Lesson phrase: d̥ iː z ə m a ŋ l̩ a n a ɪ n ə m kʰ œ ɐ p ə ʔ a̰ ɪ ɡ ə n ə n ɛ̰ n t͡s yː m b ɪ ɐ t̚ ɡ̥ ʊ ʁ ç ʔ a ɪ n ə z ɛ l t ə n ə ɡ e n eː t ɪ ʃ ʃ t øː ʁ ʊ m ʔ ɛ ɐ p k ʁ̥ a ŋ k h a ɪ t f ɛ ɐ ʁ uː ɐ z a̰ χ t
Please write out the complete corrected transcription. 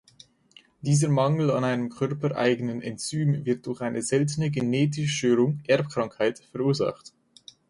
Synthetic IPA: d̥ iː z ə m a ŋ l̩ a n a ɪ n ə m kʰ œ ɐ p ə ʔ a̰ ɪ ɡ ə n ə n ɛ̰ n t͡s yː m v ɪ ɐ t̚ d̥ ʊ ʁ ç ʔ a ɪ n ə z ɛ l t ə n ə ɡ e n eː t ɪ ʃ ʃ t øː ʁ ʊ ŋ ʔ ɛ ɐ p k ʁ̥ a ŋ k h a ɪ t f ɛ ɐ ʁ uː ɐ z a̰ χ t